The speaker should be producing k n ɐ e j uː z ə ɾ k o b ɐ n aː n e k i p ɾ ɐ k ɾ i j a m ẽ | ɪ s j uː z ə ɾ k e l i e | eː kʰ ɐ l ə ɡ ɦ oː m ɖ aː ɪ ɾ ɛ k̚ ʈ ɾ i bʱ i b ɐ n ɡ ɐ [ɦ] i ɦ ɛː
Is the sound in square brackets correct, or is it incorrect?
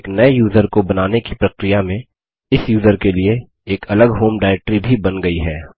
incorrect: none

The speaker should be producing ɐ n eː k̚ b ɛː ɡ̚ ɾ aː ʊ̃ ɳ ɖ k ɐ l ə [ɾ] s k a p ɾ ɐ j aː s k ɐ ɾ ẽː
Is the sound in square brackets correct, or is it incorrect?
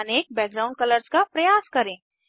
correct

